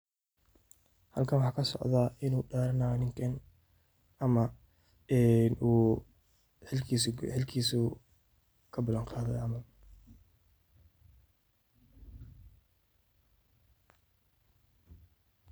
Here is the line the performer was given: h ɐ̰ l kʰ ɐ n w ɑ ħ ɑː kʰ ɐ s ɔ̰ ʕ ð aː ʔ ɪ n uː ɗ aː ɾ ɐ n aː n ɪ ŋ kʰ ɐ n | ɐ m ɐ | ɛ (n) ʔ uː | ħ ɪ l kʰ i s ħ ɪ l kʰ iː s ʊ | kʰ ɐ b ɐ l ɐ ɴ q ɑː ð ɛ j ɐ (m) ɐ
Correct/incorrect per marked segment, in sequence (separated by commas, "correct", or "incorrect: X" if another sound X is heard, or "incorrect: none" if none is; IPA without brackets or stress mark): correct, correct